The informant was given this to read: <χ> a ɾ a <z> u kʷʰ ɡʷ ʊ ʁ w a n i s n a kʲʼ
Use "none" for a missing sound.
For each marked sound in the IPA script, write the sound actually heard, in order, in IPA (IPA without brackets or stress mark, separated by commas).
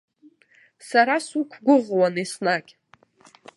s, s